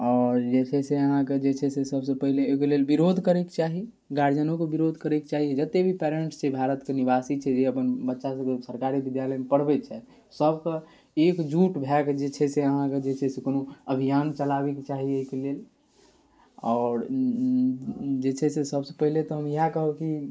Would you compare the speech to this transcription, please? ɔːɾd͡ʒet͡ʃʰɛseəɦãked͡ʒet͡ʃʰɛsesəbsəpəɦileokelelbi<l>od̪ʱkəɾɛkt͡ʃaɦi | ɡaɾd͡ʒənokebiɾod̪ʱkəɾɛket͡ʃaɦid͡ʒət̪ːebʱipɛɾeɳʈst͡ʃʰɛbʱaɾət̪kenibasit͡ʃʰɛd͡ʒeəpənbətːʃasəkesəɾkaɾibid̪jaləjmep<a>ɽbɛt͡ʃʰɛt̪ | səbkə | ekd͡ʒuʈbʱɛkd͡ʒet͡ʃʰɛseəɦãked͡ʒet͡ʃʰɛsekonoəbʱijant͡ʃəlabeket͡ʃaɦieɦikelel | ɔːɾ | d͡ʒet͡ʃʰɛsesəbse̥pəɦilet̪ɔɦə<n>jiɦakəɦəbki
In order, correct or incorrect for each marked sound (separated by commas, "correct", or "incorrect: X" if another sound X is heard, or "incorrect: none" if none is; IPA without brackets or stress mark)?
incorrect: ɾ, incorrect: ə, incorrect: m